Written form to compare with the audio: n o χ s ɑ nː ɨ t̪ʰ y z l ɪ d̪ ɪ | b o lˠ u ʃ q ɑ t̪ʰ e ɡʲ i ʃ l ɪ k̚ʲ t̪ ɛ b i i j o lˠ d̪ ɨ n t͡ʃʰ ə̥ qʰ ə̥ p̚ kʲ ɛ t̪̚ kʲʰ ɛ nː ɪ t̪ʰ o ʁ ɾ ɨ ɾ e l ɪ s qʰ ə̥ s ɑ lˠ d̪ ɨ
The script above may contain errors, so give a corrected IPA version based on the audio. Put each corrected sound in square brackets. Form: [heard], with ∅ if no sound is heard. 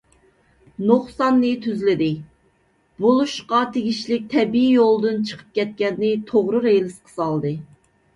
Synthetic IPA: n o χ s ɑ nː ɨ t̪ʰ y z l ɪ d̪ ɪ | b o lˠ u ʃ q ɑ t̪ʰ e ɡʲ i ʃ l ɪ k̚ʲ [t̪ʰ] ɛ b i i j o lˠ d̪ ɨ n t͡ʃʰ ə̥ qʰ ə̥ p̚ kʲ ɛ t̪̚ [kʲ] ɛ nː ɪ t̪ʰ o ʁ ɾ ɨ ɾ e l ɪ s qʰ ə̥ s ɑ lˠ d̪ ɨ